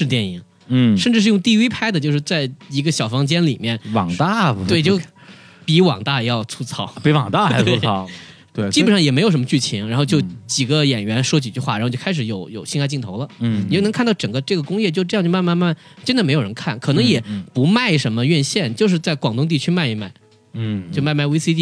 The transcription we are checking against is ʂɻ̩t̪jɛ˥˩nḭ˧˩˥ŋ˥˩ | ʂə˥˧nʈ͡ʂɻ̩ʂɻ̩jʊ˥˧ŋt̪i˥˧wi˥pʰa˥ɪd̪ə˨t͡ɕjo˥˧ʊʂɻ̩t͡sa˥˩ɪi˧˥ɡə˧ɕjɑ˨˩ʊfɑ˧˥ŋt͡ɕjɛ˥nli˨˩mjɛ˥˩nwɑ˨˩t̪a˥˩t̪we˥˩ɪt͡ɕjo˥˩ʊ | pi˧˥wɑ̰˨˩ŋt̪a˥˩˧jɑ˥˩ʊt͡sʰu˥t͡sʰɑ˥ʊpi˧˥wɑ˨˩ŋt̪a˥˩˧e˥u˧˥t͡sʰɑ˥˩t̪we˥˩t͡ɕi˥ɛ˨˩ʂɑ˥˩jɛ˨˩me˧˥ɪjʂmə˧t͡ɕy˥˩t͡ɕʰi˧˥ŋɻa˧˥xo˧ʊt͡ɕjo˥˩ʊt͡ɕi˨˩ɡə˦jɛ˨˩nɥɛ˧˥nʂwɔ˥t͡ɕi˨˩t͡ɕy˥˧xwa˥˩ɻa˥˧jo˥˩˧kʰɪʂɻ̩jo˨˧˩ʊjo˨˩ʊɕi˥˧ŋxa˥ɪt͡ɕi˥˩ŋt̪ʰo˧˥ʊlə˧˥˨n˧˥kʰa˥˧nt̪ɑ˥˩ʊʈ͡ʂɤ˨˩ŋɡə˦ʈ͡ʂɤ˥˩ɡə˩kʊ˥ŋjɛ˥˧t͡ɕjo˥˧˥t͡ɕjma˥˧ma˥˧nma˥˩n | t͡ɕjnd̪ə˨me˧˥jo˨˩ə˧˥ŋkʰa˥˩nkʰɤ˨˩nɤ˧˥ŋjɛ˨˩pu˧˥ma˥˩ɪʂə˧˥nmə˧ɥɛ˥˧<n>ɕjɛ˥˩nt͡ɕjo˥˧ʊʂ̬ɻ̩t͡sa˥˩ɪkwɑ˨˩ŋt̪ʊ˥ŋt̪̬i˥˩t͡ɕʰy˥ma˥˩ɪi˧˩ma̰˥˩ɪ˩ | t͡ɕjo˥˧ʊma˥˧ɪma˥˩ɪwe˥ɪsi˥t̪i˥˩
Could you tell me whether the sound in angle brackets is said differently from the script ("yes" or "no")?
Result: no